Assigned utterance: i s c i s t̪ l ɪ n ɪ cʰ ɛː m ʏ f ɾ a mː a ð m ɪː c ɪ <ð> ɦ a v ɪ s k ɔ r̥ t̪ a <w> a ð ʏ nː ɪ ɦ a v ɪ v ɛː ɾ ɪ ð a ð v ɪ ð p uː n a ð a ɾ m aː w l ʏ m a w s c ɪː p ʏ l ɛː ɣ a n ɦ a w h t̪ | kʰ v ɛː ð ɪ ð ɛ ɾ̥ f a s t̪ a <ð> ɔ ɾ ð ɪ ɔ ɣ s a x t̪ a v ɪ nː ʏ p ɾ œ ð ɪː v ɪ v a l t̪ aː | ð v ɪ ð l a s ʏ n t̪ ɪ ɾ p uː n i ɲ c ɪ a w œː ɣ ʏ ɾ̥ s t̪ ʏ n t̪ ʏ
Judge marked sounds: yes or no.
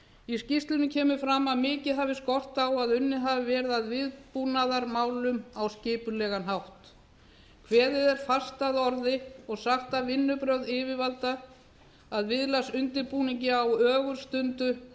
yes, yes, yes

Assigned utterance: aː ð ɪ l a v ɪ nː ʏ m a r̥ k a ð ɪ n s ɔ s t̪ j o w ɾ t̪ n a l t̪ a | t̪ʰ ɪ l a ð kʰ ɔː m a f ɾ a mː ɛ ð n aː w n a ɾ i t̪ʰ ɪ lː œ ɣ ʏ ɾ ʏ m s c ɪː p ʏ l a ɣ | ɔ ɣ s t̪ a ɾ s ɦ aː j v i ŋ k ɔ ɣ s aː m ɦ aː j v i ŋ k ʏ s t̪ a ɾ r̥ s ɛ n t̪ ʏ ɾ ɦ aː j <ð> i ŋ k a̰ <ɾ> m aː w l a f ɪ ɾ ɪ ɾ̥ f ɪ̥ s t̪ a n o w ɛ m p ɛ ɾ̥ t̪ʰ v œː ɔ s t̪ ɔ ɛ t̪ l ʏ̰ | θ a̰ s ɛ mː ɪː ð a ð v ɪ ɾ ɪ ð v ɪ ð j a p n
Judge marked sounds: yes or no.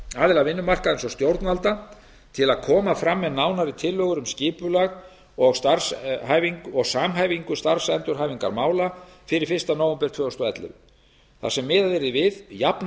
no, yes

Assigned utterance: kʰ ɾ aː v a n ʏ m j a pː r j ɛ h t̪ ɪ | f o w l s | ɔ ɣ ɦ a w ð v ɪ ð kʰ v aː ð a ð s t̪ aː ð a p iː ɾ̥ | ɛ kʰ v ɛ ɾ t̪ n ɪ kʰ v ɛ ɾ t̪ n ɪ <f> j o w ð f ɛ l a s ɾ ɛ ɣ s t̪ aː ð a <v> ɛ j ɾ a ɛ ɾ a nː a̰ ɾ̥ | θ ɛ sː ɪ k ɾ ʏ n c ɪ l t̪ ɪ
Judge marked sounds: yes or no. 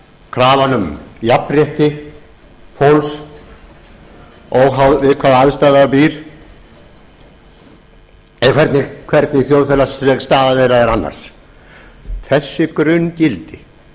no, yes

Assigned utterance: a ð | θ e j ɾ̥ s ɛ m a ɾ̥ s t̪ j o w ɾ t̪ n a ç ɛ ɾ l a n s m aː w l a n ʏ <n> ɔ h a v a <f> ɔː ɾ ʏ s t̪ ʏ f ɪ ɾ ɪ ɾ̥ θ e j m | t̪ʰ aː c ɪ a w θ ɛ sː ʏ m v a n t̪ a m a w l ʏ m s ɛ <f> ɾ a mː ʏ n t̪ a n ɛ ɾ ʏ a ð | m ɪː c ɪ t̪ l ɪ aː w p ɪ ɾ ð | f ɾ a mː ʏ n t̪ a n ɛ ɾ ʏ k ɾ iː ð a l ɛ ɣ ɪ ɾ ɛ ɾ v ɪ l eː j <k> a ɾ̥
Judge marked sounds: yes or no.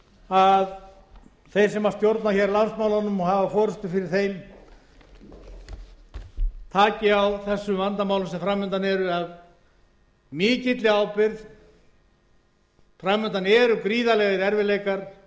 no, yes, yes, yes

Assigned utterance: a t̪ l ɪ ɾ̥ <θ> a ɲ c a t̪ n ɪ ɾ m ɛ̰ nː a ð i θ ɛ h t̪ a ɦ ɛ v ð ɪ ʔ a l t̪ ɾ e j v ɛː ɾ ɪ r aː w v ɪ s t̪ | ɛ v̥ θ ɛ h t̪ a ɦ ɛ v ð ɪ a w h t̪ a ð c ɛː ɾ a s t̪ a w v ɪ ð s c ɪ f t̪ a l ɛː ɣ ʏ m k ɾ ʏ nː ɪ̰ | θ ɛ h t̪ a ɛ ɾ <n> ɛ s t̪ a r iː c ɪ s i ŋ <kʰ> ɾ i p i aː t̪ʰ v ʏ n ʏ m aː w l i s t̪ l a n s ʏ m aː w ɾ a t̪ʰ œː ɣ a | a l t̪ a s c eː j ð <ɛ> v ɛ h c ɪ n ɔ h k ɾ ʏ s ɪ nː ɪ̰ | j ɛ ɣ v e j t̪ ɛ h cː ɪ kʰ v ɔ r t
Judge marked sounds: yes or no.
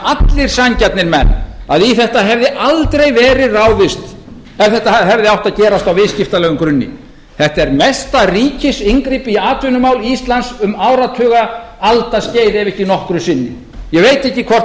no, no, no, yes

